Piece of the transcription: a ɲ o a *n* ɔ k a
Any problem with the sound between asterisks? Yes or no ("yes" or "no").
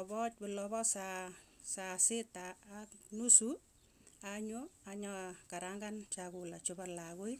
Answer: yes